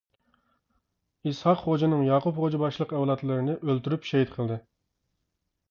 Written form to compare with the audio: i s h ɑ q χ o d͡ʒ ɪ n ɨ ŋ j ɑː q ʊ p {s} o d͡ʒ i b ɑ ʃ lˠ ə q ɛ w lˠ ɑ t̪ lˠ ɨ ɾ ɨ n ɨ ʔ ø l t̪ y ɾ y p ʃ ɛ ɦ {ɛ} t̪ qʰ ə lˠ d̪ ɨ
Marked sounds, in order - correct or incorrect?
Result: incorrect: χ, incorrect: i

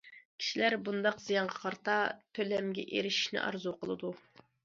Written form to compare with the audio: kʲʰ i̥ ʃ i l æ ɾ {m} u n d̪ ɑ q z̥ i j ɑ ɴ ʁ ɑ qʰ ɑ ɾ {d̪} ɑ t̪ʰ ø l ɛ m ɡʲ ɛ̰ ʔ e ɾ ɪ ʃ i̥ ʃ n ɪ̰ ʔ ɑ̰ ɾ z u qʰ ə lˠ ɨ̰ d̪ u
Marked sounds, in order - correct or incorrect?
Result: incorrect: b, incorrect: t̪

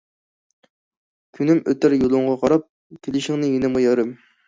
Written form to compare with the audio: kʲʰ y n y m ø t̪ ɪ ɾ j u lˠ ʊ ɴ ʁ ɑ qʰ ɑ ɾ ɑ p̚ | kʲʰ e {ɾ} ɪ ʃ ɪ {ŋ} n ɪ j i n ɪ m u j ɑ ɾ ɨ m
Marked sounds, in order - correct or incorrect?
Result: incorrect: l, correct

